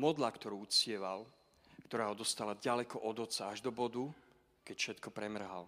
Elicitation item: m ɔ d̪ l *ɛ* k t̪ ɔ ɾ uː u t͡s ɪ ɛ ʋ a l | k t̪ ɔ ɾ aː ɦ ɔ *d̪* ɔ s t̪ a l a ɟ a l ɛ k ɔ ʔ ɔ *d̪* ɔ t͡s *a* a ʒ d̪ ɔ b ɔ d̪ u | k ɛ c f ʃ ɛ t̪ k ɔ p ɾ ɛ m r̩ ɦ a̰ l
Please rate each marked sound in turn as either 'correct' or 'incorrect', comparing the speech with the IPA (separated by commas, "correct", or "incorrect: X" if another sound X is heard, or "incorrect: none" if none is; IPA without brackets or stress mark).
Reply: incorrect: a, correct, correct, correct